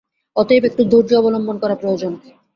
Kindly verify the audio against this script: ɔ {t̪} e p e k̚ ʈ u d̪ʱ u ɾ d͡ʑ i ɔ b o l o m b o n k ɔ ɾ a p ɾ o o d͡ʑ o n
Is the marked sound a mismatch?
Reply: no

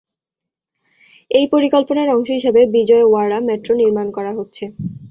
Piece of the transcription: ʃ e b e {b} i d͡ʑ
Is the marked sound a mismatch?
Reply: no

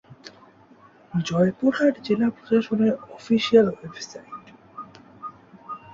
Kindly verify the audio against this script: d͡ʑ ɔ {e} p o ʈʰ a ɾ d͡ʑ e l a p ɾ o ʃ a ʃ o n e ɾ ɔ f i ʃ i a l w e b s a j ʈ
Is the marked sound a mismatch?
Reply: no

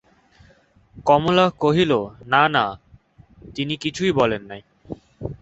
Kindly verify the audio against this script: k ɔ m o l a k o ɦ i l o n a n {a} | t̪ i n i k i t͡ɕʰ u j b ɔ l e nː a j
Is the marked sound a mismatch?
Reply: no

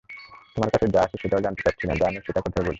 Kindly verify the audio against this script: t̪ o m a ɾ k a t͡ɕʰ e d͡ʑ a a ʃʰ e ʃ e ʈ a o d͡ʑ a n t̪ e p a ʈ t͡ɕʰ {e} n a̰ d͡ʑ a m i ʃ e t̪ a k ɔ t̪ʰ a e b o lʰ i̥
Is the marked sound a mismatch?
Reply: yes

